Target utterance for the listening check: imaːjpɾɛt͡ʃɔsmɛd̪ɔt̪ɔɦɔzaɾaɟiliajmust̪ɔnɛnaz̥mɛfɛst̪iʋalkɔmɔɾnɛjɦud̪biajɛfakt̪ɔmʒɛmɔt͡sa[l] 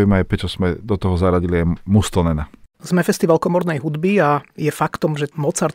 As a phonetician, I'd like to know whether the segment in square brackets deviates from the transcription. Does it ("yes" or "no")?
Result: yes